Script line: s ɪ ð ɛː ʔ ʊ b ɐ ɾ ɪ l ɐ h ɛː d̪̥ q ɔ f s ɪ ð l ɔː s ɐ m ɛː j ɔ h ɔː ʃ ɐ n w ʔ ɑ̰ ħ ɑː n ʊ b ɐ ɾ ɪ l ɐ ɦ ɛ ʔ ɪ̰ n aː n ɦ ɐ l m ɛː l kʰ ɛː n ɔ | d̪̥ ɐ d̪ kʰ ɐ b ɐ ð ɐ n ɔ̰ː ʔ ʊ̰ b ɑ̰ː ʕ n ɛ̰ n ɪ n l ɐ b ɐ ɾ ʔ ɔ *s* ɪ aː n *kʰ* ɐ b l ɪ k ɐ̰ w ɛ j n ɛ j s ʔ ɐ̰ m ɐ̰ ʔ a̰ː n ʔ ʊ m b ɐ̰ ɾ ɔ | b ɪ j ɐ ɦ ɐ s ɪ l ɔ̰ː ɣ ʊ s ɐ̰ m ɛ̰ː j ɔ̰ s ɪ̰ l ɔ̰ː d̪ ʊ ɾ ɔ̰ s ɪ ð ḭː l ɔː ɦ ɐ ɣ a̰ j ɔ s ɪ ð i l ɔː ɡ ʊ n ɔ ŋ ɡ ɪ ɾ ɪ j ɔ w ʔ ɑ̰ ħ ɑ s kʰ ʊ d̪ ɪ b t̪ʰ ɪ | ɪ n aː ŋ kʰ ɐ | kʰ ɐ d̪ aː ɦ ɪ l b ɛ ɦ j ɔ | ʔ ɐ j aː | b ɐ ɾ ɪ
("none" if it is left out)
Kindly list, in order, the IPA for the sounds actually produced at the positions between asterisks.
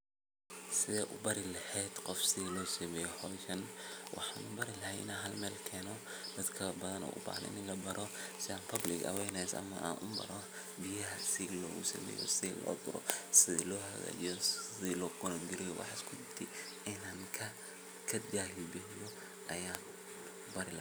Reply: s, pʰ

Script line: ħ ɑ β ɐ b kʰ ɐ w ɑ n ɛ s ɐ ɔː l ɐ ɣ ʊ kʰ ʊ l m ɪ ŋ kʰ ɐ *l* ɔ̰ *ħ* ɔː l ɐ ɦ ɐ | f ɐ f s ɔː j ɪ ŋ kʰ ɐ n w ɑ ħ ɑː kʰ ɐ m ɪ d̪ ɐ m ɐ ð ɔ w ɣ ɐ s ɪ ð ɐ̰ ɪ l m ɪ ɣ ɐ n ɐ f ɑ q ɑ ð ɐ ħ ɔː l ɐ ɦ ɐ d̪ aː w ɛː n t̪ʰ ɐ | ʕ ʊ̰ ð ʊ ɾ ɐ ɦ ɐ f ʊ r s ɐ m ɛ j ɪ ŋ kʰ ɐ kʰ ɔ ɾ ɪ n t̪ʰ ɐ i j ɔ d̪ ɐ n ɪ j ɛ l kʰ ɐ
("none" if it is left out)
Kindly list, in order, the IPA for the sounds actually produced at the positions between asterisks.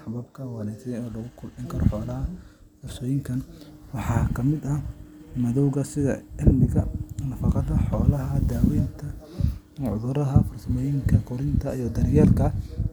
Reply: ɾ, ħ

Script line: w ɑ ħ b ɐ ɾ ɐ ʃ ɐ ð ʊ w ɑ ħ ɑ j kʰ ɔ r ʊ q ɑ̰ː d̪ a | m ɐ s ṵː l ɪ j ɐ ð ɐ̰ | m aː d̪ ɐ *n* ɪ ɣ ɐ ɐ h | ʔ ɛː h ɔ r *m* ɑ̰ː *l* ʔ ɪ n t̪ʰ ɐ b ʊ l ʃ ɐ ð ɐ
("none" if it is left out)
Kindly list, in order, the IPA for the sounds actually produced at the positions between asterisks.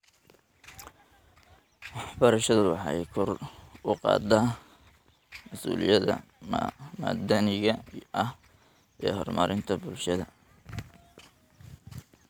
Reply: n, m, ɾ

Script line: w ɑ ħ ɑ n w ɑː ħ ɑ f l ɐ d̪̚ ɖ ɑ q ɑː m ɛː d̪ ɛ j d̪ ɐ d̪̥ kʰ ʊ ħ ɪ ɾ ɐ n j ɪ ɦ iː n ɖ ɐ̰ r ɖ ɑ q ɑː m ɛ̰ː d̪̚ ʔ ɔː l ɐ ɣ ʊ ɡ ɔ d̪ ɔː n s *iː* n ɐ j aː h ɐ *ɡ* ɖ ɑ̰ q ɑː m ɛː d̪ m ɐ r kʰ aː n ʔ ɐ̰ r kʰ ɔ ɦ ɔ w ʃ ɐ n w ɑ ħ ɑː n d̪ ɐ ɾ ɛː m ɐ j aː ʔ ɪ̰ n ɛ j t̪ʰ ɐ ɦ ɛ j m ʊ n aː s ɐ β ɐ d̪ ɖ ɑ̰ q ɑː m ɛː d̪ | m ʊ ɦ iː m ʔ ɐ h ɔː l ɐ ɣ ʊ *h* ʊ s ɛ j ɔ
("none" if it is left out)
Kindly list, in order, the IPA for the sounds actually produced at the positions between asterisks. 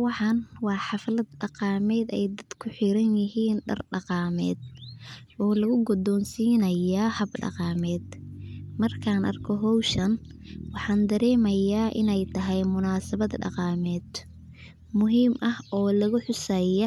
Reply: iː, b, ħ

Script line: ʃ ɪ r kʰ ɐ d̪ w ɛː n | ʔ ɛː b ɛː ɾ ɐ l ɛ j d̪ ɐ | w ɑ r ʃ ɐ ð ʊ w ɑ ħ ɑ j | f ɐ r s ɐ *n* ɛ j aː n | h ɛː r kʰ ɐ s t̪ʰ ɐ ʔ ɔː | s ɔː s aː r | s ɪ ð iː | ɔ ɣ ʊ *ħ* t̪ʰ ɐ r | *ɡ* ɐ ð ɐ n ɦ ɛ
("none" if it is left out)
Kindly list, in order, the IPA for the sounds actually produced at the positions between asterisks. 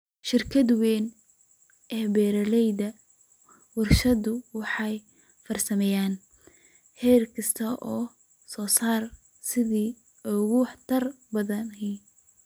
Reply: m, ħ, b

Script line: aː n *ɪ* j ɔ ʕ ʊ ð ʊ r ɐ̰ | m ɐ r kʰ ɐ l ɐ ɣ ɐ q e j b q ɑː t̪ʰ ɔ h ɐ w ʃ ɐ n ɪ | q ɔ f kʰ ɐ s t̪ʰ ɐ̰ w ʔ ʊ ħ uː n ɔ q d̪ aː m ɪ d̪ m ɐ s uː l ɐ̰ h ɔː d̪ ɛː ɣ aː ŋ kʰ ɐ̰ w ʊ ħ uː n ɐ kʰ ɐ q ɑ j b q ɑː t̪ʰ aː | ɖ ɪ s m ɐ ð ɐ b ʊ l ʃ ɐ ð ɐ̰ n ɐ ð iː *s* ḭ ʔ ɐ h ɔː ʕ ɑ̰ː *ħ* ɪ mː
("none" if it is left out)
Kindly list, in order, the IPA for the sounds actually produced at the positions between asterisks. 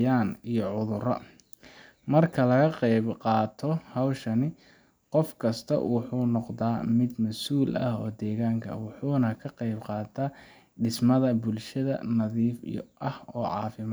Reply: i, f, f

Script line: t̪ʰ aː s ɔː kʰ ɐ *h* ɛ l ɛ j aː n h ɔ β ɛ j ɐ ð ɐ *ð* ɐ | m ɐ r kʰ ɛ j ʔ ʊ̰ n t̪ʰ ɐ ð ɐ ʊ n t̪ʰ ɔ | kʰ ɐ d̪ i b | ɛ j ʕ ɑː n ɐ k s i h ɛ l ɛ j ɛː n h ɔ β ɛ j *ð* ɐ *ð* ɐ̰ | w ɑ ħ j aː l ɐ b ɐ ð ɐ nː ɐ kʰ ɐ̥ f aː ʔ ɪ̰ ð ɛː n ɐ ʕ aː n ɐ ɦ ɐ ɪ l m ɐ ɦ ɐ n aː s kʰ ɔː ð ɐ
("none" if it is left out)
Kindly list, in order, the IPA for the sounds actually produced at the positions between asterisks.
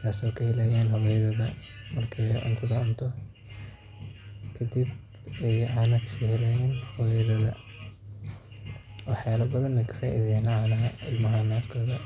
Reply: h, ð, ð, ð

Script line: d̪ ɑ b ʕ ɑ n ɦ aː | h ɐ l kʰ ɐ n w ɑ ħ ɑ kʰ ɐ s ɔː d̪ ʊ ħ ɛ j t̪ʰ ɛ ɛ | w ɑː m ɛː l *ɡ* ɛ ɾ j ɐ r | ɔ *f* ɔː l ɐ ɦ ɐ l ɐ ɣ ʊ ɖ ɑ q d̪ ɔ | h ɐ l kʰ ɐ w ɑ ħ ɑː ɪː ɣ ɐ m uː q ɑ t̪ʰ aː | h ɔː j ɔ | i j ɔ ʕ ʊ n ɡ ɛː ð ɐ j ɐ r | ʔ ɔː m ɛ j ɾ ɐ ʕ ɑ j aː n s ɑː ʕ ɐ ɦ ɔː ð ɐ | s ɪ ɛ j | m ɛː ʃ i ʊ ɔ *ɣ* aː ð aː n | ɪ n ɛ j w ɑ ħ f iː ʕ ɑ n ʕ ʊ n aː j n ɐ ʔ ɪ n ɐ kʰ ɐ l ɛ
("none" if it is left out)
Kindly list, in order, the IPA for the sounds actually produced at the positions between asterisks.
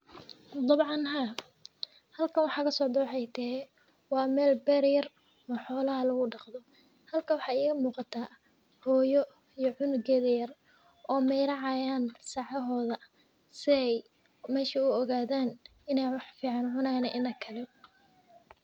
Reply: b, ħ, ɣ

